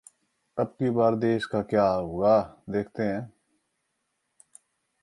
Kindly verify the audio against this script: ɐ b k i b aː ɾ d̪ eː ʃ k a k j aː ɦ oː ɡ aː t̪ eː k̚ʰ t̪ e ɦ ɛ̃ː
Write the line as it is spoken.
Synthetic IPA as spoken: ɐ b k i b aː ɾ d̪ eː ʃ k a k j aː ɦ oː ɡ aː d̪ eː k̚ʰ t̪ e ɦ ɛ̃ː